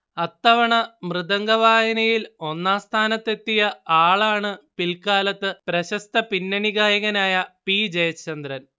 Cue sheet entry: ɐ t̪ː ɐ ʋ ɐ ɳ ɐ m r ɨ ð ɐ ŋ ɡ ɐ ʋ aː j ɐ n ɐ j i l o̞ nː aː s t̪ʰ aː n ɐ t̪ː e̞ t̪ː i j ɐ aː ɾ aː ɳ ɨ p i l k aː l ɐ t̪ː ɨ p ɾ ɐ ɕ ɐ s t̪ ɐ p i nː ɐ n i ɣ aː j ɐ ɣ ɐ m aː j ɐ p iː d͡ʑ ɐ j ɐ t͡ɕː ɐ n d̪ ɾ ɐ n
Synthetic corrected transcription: ɐ t̪ː ɐ ʋ ɐ ɳ ɐ m r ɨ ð ɐ ŋ ɡ ɐ ʋ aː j ɐ n ɐ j i l o̞ nː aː s t̪ʰ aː n ɐ t̪ː e̞ t̪ː i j ɐ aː ɭ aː ɳ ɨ p i l k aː l ɐ t̪ː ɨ p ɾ ɐ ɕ ɐ s t̪ ɐ p i nː ɐ n i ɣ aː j ɐ ɣ ɐ n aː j ɐ p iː d͡ʑ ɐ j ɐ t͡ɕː ɐ n d̪ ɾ ɐ n